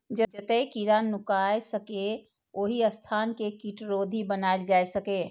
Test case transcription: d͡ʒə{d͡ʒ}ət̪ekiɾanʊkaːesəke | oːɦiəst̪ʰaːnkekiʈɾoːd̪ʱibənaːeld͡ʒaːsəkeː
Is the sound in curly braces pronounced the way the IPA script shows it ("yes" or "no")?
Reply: yes